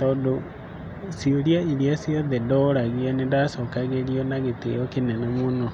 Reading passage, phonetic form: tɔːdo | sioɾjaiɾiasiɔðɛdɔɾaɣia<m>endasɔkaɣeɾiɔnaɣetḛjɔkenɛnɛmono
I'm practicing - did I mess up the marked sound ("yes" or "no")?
yes